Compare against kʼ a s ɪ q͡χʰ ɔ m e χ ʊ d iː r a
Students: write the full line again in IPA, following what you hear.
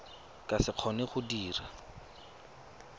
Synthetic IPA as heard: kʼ a s ɪ q͡χʰ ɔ n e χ ʊ d iː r a